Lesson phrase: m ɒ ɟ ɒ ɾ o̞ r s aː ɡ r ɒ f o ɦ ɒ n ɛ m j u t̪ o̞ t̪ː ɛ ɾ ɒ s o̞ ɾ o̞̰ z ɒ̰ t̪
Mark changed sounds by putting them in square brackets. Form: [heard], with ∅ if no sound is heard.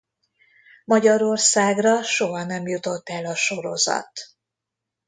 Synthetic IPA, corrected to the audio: m ɒ ɟ ɒ ɾ o̞ r s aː ɡ r ɒ [ʃ] o ɦ ɒ n ɛ m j u t̪ o̞ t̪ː ɛ [l] ɒ [ʃ] o̞ ɾ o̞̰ z ɒ̰ t̪